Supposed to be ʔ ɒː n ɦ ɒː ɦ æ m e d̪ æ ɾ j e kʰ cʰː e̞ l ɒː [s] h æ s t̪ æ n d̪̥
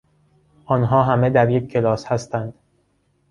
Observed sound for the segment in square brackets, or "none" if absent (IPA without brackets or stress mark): s